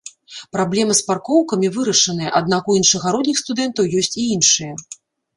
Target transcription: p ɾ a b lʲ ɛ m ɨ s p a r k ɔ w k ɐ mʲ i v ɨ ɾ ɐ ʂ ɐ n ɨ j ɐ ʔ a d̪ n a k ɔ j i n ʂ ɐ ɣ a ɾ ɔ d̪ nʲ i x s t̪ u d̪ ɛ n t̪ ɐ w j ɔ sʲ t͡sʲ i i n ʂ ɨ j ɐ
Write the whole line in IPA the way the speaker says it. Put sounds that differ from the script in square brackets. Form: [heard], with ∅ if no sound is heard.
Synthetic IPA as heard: p ɾ a b lʲ ɛ m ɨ s p a r k ɔ w k ɐ mʲ i v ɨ ɾ ɐ ʂ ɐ n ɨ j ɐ ʔ a d̪ n a k [u] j i n ʂ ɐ ɣ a ɾ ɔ d̪ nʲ i x s t̪ u d̪ ɛ n t̪ ɐ w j ɔ sʲ t͡sʲ i i n ʂ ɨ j ɐ